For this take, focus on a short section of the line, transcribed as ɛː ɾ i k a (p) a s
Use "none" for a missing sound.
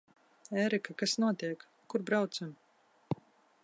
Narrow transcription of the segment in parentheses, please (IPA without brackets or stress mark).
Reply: k